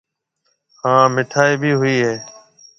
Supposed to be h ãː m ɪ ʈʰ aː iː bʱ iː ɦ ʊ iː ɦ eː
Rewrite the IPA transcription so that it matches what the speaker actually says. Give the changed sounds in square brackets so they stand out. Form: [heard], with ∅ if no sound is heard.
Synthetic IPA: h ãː m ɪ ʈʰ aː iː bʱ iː ɦ ʊ iː ɦ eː